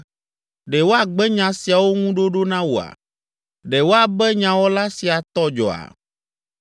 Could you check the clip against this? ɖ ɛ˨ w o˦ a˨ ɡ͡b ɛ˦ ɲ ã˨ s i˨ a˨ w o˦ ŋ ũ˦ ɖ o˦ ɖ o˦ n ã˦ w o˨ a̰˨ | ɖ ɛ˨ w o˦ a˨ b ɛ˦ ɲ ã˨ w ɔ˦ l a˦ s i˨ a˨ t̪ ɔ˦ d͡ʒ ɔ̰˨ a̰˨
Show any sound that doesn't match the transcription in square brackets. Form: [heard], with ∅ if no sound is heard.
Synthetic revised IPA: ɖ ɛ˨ w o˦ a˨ ɡ͡b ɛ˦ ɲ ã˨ s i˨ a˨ w o˦ ŋ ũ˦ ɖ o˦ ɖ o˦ n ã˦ w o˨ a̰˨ | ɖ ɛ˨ w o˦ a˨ b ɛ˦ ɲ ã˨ w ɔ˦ l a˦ s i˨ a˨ t̪ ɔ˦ d͡ʒ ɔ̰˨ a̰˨